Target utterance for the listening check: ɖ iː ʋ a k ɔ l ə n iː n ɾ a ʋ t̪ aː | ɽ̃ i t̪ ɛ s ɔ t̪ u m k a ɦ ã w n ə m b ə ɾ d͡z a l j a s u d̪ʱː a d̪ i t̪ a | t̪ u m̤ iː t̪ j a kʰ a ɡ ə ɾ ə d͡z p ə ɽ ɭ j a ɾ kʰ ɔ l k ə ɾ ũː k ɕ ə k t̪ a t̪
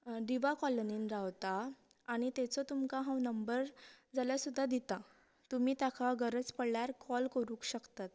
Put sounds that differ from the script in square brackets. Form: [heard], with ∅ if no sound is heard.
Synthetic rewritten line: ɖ [i] ʋ a k ɔ l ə n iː n ɾ a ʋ t̪ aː | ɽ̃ i t̪ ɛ [t͡s] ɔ t̪ u m k a ɦ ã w n ə m b ə ɾ d͡z a l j a s u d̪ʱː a d̪ i t̪ a | t̪ u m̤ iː t̪ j a kʰ a ɡ ə ɾ ə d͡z p ə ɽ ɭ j a ɾ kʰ ɔ l k ə ɾ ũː k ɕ ə k t̪ a t̪